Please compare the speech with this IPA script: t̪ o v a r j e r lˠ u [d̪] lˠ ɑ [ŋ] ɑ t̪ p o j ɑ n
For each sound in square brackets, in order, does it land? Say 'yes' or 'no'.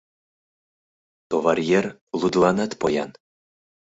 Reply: yes, no

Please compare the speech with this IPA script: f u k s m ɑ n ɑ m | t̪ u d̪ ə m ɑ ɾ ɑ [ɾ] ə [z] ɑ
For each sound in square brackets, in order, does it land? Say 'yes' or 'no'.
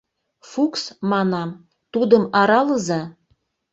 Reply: no, yes

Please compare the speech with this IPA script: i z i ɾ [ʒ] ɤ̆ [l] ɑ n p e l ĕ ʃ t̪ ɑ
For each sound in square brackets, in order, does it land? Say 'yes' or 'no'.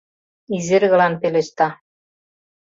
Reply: no, yes

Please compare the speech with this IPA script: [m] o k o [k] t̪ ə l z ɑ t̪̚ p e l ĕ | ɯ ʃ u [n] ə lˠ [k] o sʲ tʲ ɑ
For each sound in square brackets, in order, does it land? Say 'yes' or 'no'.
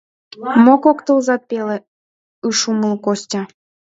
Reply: yes, yes, no, yes

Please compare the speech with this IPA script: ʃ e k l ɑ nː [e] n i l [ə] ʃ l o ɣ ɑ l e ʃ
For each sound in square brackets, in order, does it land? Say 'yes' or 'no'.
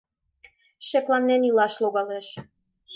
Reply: yes, no

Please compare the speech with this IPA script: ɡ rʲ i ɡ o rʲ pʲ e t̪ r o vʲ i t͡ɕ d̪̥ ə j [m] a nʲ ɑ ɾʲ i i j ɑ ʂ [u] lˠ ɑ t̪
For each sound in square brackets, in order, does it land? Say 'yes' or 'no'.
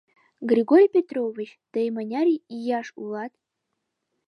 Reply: yes, yes

